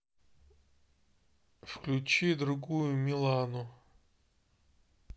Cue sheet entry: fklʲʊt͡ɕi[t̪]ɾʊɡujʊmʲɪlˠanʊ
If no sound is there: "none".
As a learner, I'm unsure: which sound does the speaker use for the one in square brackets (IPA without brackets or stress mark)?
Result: d̪